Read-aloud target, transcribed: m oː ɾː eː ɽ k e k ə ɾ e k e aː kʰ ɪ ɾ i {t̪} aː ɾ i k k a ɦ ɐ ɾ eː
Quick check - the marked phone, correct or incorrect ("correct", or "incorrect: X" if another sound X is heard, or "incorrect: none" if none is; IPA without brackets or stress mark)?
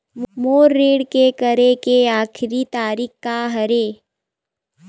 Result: correct